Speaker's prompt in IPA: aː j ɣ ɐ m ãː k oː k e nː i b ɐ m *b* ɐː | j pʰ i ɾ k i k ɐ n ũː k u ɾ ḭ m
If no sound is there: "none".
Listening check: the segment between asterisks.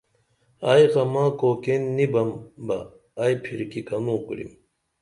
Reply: b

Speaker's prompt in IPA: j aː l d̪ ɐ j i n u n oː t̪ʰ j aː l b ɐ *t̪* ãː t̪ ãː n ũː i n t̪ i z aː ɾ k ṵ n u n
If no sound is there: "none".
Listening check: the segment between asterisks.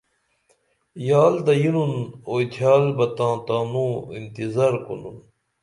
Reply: t̪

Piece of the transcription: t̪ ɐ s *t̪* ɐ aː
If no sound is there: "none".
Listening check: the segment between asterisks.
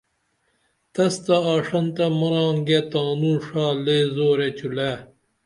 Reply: t̪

